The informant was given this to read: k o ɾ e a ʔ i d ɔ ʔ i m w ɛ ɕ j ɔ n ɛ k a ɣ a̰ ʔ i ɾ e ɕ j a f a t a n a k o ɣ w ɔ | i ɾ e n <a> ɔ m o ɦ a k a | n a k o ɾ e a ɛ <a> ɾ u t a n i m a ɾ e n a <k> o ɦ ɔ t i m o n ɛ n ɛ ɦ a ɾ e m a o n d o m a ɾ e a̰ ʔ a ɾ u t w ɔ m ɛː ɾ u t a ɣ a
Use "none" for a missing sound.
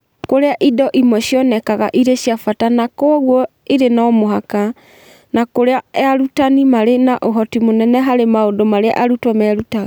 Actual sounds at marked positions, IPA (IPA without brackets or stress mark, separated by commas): a, a, ʔ